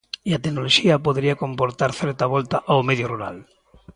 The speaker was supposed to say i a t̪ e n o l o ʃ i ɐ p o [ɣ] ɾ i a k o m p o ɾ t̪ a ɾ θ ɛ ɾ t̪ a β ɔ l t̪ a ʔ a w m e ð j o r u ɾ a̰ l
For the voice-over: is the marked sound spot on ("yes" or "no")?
no